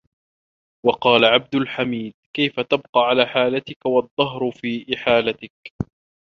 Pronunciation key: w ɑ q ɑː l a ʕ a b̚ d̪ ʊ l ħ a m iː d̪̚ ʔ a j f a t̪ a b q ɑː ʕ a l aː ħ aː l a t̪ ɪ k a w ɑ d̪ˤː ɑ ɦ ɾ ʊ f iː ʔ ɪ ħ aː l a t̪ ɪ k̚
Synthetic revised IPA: w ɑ q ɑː l a ʕ a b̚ d̪ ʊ l ħ a m iː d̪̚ k a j f a t̪ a b q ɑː ʕ a l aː ħ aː l a t̪ ɪ k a w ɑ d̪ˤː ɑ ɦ ɾ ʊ f iː ʔ ɪ ħ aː l a t̪ ɪ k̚